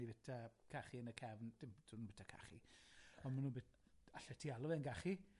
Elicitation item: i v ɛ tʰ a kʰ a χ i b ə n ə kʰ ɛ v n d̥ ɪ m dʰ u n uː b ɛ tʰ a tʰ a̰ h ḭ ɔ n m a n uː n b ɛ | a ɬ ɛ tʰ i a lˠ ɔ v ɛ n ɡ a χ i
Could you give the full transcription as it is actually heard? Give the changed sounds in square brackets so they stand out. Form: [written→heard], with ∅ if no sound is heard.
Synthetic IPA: i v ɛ tʰ a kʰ a χ i [b→∅] ə n ə kʰ ɛ v n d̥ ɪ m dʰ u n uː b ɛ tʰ a [tʰ→kʰ] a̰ [h→χ] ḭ ɔ n m a n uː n b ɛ | a ɬ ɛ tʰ i a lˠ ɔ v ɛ n ɡ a χ i